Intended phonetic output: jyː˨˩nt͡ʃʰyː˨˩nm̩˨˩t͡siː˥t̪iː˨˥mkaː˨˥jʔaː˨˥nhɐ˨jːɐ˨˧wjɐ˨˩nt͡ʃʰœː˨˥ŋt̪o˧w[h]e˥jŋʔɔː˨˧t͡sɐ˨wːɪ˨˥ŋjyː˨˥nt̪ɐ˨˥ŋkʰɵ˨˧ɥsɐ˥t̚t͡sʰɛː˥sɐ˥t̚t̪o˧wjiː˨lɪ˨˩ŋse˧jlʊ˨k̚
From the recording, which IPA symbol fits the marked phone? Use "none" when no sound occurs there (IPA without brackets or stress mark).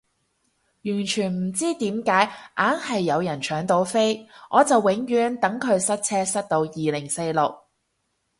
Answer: f